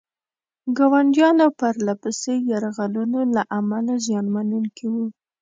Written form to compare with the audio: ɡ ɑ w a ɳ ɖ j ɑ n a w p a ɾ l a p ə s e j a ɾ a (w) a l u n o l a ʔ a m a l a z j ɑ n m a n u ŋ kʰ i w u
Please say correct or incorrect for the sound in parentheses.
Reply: incorrect